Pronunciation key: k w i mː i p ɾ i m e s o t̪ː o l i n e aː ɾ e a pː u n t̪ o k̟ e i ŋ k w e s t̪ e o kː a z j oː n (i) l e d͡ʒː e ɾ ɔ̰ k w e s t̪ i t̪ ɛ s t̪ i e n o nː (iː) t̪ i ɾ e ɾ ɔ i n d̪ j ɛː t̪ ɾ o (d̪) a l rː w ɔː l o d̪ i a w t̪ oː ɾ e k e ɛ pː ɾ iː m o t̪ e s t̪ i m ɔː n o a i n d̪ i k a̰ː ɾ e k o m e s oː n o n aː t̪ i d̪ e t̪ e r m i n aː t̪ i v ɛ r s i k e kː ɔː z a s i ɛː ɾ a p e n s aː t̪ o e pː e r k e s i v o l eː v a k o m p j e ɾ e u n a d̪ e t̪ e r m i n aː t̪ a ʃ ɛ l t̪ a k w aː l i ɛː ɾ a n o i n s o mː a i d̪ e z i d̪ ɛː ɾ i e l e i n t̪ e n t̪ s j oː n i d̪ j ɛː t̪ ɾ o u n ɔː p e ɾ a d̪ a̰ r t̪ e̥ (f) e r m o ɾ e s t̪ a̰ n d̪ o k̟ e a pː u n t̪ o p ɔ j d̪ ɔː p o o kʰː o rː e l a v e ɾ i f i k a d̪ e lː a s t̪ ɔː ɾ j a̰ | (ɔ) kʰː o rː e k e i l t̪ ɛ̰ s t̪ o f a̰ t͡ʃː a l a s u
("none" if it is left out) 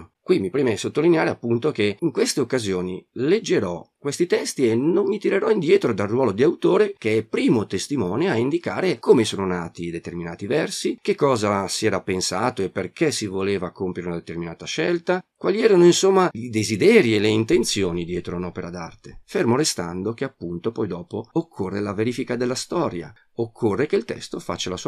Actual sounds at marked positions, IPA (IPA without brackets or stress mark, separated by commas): i, i, d̪, f, o